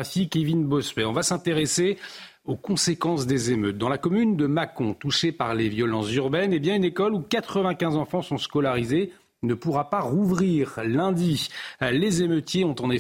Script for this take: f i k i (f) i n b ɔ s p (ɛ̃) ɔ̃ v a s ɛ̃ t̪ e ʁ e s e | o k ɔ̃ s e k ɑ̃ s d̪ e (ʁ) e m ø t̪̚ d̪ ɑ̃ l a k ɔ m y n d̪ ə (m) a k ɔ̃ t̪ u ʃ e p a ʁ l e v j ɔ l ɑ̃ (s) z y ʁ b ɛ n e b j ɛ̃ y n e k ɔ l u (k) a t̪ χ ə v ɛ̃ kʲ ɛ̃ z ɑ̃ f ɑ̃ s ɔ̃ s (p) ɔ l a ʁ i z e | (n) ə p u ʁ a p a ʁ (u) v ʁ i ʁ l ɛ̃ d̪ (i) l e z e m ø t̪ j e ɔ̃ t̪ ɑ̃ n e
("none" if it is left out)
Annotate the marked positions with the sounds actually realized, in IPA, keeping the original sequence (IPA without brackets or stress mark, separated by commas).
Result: v, ɛ, z, m, s, k, k, n, u, i